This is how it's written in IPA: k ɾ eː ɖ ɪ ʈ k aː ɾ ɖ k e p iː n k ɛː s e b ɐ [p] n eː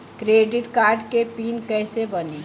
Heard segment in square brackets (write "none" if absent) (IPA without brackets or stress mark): none